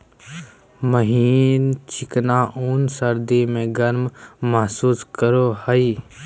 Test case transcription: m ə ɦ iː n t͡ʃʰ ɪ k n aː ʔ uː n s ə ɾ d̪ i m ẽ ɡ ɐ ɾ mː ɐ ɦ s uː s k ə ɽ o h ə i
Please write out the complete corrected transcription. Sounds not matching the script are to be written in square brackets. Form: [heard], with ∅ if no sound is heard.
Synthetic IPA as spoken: m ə ɦ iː n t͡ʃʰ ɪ k n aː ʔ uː n s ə ɾ d̪ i m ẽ ɡ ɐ ɾ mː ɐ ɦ s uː s k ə [ɾ] o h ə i